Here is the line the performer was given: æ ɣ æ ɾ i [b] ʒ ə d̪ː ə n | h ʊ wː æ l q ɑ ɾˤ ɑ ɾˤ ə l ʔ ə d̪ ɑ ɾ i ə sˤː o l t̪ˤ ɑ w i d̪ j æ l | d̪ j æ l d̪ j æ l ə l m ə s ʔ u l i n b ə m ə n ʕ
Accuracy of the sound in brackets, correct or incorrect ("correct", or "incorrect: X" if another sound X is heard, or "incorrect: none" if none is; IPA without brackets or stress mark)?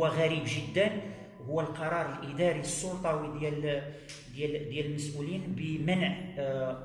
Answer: correct